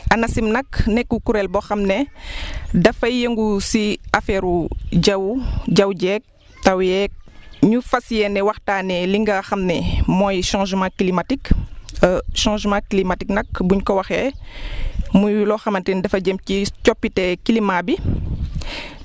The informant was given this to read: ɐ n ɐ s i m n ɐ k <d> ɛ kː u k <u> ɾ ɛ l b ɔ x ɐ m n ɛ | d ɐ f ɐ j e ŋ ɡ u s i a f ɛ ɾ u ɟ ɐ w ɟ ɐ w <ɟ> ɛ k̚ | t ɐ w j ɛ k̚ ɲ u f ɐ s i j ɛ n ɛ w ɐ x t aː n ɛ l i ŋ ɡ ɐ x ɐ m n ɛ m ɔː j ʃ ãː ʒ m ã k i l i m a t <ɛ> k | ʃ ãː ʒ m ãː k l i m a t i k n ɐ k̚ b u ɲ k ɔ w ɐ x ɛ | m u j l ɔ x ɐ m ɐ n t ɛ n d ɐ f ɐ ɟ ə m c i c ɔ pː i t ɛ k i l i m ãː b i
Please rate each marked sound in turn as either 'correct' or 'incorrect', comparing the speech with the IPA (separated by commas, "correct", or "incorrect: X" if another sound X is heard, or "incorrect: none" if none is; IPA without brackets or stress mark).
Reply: incorrect: n, correct, correct, incorrect: i